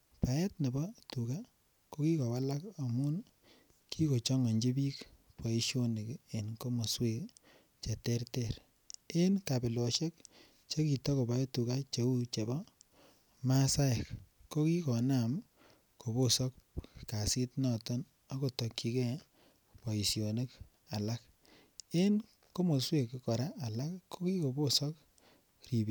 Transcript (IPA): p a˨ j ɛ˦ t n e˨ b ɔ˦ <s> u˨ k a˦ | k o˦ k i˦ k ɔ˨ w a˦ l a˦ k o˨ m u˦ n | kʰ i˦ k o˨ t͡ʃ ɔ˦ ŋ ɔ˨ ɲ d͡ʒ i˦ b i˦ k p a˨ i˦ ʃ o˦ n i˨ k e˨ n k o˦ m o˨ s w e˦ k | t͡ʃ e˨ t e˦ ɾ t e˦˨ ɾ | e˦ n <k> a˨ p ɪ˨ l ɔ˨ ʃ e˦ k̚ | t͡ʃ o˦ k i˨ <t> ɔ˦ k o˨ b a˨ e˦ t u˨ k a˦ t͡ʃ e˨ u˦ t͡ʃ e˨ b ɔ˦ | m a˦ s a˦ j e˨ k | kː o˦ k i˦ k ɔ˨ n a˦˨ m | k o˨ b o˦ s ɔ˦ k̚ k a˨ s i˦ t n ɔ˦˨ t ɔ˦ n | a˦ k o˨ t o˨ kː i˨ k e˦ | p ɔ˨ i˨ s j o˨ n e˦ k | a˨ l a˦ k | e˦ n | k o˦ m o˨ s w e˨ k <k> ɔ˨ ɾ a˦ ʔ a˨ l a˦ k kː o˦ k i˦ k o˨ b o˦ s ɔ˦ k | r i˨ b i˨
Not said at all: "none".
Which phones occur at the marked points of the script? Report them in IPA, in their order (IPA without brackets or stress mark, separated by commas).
t, k, t, k